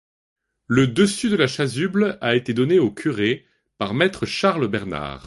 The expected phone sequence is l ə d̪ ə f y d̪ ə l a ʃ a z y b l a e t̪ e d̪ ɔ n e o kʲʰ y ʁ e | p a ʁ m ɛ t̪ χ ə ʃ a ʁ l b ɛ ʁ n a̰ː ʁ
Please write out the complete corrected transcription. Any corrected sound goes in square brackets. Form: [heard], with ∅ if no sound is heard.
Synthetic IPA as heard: l ə d̪ ə [s] y d̪ ə l a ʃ a z y b l a e t̪ e d̪ ɔ n e o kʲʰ y ʁ e | p a ʁ m ɛ t̪ χ ə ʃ a ʁ l b ɛ ʁ n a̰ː ʁ